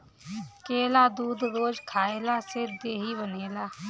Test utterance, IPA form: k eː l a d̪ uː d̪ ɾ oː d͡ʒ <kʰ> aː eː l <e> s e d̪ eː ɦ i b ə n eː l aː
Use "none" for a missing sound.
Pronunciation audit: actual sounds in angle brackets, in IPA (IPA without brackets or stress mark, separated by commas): kʰ, a